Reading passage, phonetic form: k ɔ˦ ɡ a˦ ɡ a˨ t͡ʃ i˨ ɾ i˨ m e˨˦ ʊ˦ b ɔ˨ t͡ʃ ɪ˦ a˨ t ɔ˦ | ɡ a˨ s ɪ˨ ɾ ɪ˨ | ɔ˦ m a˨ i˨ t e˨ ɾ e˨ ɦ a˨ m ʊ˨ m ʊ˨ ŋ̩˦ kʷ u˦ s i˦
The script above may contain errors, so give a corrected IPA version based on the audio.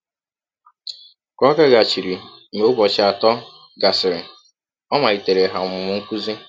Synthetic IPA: k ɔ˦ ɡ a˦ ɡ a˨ t͡ʃ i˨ ɾ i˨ m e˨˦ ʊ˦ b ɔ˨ t͡ʃ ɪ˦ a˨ t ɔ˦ | ɡ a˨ s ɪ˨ ɾ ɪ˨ | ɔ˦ m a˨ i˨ t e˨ ɾ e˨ ɦ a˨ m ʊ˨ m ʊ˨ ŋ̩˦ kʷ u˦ z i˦